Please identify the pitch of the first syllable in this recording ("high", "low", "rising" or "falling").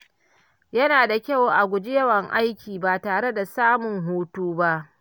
high